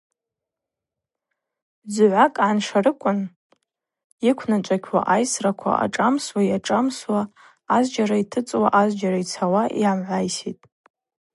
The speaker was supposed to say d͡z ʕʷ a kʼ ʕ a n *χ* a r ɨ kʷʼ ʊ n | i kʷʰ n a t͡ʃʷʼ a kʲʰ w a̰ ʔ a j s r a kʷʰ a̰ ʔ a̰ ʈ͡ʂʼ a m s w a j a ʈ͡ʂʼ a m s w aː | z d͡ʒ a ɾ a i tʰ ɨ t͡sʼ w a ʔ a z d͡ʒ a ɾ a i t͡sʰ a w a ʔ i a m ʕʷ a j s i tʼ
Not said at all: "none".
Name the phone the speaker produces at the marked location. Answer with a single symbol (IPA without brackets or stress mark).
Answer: ʂ